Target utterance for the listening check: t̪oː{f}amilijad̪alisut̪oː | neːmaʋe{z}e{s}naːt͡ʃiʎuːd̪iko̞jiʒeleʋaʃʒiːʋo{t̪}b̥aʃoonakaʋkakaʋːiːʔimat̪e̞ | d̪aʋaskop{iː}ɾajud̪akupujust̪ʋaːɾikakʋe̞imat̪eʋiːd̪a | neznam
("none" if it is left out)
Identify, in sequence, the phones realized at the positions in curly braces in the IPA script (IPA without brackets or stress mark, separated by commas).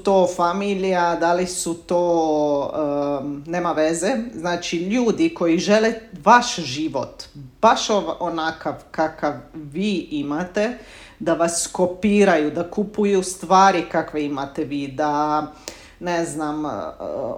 f, z, z, t̪, iː